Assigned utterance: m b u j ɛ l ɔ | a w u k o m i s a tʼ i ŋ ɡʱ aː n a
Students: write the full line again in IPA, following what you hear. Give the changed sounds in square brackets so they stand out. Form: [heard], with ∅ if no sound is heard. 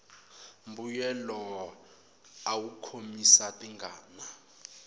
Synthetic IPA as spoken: m b u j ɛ l ɔ | a w u [kʰ] o m i s a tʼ i ŋ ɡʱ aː n a

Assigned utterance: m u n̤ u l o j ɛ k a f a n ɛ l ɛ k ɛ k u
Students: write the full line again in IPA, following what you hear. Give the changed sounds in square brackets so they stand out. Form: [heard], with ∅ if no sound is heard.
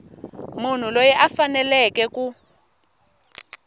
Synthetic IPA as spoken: m u n̤ u l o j ɛ [ʔ] a f a n ɛ l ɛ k ɛ k u

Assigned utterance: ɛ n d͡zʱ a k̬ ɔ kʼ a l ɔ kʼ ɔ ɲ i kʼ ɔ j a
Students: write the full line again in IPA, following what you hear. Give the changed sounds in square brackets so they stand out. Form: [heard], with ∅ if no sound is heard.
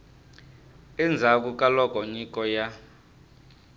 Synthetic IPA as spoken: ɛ n d͡zʱ a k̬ [u] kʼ a l ɔ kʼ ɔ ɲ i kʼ ɔ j a

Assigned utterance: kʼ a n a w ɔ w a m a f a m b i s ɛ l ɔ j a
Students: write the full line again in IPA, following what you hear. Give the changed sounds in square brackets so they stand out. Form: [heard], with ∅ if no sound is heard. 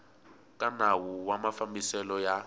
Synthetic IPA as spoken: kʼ a n a w [u] w a m a f a m b i s ɛ l ɔ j a

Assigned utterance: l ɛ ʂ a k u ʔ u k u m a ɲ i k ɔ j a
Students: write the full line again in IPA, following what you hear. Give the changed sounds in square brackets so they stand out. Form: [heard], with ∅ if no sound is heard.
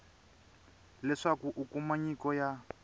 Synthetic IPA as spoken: l ɛ ʂ a k u ʔ u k u m a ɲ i k ɔ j a

